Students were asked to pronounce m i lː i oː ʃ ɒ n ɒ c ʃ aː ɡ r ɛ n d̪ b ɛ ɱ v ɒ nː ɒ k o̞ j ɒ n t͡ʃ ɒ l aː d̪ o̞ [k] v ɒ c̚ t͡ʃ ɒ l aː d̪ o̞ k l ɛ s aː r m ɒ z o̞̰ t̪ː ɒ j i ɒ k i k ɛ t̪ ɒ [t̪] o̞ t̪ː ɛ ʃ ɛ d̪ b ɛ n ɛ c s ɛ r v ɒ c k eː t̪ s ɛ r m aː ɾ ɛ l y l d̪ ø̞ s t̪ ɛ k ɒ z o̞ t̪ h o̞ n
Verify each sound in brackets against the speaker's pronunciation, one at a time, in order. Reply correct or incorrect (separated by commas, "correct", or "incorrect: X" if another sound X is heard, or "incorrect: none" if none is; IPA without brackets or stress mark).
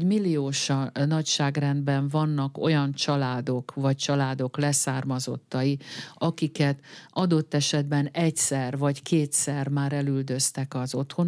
correct, incorrect: d̪